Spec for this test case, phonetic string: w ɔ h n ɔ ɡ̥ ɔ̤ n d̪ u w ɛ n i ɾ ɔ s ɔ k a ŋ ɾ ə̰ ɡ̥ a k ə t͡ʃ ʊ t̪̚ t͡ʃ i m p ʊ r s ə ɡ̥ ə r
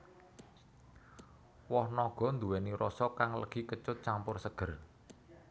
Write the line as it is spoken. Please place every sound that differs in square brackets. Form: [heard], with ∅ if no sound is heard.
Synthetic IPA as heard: w ɔ h n ɔ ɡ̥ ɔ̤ n d̪ u w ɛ n i ɾ ɔ s ɔ k a ŋ [l] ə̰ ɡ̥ [i] k ə t͡ʃ ʊ t̪̚ t͡ʃ [a] m p ʊ r s ə ɡ̥ ə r